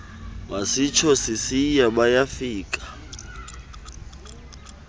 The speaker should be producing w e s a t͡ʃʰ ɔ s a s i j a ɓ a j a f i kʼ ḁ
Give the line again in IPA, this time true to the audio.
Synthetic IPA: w a s i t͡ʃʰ ɔ s i s i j a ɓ a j a f iː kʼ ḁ